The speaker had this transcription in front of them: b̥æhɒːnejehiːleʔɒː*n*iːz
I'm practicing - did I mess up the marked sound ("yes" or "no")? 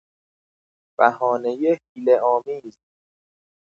yes